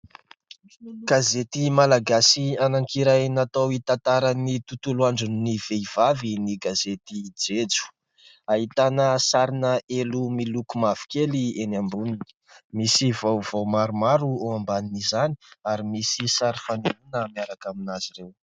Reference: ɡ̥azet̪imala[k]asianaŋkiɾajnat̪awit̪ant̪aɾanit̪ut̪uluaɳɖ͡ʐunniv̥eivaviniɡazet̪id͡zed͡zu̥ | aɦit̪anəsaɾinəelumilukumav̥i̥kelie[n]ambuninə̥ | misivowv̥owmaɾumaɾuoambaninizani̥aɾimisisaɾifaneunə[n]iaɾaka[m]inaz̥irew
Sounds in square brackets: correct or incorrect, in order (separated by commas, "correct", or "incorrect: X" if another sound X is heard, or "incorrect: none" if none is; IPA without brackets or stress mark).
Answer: incorrect: ɡ, correct, incorrect: m, correct